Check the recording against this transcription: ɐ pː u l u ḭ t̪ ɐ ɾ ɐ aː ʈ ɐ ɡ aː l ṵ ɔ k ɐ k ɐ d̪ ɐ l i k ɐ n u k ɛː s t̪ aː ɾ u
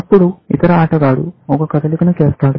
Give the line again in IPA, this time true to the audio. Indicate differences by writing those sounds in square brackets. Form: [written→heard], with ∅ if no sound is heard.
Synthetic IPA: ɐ pː u [l→ɽ] u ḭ t̪ ɐ ɾ ɐ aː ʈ ɐ ɡ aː [l→ɽ] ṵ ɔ k ɐ k ɐ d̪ ɐ l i k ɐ n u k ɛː s t̪ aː [ɾ→ɽ] u